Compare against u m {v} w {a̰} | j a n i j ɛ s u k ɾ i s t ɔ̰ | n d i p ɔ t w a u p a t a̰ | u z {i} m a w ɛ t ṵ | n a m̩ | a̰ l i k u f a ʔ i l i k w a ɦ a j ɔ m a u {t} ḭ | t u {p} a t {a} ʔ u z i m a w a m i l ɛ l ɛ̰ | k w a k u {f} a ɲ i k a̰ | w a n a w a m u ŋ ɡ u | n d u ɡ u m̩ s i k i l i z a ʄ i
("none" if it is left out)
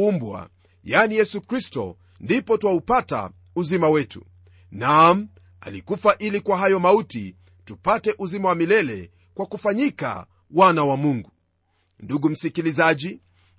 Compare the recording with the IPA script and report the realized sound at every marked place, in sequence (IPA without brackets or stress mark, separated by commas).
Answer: b, a̰, i, t, p, ɛ, f